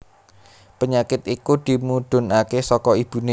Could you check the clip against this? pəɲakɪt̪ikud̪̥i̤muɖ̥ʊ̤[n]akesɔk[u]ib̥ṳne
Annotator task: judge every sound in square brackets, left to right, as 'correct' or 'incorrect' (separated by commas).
correct, incorrect